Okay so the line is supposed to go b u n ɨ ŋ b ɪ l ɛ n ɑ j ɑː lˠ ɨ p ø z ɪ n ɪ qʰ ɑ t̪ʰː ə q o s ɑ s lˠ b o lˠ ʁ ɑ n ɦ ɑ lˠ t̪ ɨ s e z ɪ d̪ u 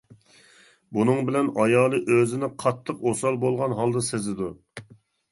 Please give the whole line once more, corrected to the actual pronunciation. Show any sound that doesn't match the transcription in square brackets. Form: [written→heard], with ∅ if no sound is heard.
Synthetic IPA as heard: b u n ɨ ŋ b ɪ l ɛ n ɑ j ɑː lˠ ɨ [p→ʔ] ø z ɪ n ɪ qʰ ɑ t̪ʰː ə q o s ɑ [s→∅] lˠ b o lˠ ʁ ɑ n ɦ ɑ lˠ [t̪→d̪] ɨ s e z ɪ d̪ u